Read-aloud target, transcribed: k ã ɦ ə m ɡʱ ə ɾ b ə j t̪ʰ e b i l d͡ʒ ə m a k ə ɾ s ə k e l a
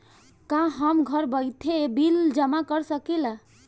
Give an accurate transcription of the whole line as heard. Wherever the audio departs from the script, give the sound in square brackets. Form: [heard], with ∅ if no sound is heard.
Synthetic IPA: k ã ɦ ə m ɡʱ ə ɾ b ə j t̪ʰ e b i l d͡ʒ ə m a k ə ɾ s ə k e l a